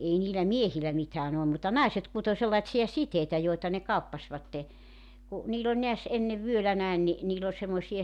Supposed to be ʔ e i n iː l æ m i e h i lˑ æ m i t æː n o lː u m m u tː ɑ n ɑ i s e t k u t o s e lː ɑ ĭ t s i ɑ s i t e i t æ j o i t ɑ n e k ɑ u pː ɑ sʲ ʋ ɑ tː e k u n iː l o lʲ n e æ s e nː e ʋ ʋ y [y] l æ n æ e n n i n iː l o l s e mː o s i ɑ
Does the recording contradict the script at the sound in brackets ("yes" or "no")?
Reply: yes